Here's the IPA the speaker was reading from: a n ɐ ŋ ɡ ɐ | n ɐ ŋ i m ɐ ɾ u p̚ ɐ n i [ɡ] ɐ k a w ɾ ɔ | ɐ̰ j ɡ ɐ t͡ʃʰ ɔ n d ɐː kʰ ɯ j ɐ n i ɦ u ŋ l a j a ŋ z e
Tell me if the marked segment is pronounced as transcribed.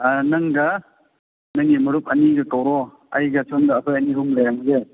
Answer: yes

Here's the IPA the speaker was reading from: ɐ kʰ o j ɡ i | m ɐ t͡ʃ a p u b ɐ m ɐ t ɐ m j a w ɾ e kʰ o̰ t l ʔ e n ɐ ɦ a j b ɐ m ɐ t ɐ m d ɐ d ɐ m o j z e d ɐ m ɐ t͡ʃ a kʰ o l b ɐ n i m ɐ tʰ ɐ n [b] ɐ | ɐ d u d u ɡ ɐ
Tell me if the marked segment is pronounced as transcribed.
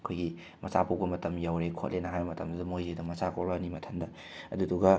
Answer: no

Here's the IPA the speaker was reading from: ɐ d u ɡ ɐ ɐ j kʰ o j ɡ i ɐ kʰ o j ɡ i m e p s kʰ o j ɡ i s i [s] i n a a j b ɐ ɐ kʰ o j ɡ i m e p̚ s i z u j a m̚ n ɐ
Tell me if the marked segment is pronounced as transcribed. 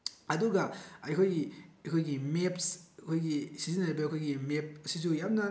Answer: no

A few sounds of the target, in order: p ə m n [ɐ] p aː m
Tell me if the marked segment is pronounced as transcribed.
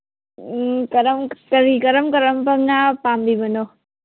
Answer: no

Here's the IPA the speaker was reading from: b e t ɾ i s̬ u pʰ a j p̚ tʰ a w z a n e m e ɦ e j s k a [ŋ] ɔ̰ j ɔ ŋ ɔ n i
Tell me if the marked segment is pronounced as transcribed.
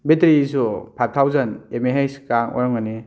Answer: yes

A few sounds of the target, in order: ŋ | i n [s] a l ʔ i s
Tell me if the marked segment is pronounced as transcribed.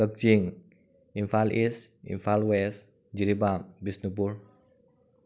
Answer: no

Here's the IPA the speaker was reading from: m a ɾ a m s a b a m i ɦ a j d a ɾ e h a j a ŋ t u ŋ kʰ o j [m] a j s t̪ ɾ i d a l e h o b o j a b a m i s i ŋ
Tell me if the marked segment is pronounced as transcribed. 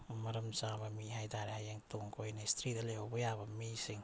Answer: no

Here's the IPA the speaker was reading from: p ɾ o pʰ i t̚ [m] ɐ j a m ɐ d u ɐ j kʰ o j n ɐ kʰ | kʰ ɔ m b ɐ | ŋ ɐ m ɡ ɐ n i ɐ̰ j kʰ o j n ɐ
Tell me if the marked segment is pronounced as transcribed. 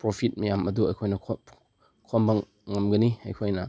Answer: yes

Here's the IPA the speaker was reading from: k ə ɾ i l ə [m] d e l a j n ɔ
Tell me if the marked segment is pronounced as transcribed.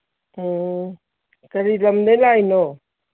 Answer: yes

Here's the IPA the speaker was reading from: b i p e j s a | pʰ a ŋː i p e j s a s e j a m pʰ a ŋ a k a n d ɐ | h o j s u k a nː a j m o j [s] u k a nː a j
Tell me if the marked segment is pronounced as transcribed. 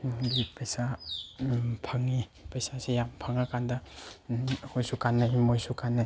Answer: yes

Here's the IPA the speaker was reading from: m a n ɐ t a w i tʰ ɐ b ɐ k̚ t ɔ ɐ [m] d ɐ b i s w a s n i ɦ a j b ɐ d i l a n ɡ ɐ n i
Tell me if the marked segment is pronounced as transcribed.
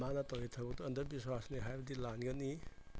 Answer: no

